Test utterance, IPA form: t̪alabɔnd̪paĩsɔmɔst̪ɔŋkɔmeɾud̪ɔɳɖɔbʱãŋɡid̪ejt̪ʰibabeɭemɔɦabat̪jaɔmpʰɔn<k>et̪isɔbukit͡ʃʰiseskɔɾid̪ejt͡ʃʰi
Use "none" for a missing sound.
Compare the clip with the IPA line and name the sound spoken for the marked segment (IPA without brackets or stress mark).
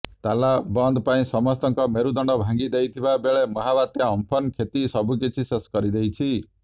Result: kʰ